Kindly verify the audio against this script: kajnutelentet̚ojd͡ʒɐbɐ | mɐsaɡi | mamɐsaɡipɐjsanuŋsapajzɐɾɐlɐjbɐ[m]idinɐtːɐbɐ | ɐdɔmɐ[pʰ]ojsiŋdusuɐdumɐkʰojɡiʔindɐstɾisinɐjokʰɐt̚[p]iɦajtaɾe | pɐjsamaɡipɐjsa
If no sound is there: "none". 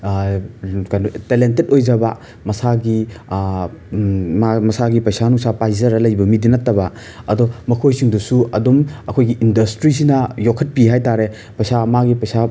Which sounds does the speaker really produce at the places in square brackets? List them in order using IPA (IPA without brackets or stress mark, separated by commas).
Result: m, kʰ, p